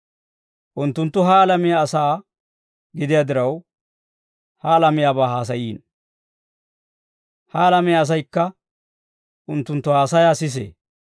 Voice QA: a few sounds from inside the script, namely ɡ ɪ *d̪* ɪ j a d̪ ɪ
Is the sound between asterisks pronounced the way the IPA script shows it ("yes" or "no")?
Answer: yes